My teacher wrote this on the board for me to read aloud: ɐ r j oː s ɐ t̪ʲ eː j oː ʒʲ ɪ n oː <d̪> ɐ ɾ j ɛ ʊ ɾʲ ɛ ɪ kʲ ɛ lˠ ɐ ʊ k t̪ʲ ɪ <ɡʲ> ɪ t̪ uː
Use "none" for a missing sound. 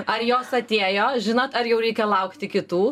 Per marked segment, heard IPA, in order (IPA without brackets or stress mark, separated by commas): t̪, kʲ